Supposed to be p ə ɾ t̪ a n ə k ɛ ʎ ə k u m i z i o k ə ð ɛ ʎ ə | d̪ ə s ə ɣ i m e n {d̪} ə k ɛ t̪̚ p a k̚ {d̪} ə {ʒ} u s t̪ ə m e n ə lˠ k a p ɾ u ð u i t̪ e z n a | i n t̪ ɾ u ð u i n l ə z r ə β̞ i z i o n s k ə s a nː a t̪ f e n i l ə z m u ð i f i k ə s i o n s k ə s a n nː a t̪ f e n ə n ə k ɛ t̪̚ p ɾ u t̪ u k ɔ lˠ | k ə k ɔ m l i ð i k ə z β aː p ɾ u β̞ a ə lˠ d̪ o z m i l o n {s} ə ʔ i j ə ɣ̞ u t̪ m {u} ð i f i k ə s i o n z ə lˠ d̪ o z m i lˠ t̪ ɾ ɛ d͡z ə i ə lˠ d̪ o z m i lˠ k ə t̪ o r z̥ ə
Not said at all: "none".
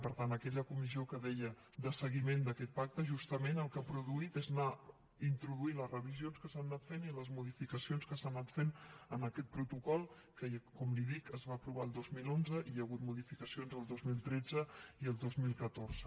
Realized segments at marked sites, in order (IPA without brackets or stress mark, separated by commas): d̪, t̪, ʒ, z, u